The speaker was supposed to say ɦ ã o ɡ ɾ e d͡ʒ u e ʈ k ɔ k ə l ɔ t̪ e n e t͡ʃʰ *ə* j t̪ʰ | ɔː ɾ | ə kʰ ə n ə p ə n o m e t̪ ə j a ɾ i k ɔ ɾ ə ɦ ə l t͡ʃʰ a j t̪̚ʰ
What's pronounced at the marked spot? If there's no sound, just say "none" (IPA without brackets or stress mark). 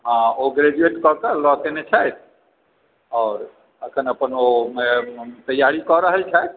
a